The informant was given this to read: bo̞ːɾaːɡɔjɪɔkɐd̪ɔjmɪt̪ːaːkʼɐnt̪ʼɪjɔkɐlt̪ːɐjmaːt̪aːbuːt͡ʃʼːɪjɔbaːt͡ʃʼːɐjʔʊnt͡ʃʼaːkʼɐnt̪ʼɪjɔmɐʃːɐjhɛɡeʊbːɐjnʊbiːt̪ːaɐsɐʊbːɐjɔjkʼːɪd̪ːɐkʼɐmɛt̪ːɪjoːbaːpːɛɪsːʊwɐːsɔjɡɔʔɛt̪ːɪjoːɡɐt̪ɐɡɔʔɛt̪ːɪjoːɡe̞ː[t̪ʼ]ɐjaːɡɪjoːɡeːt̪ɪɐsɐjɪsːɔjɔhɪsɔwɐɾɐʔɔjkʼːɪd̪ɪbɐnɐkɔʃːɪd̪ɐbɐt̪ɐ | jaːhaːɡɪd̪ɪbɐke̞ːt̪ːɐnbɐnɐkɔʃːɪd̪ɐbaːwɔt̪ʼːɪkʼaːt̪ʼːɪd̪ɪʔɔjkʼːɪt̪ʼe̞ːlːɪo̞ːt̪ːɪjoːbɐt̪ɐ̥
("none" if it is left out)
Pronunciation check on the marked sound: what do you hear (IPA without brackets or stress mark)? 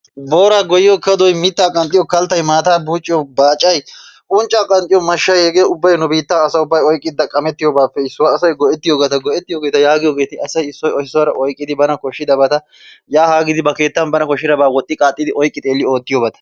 t̪